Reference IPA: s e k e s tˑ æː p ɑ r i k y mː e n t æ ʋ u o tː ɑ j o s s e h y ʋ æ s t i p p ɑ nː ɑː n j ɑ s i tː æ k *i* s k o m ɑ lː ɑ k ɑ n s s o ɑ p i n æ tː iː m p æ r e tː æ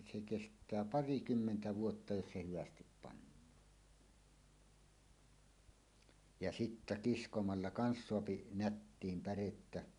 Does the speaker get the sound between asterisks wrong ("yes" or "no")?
no